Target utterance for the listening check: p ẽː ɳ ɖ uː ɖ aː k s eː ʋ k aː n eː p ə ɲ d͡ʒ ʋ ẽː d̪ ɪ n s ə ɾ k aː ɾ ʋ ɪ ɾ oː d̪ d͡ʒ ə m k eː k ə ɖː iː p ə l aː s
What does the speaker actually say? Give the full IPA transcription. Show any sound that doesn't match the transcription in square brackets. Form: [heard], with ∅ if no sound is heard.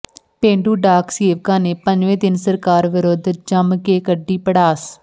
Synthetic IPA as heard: p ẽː ɳ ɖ uː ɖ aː k s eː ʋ k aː n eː p ə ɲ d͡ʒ ʋ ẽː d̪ ɪ n s ə ɾ k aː ɾ ʋ ɪ ɾ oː d̪ d͡ʒ ə m k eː k ə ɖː iː p ə [ɽ] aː s